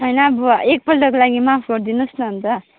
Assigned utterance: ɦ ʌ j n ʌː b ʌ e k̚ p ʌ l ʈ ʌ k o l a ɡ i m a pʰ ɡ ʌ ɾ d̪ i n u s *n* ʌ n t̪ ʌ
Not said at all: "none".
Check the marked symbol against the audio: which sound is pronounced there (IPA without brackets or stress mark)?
n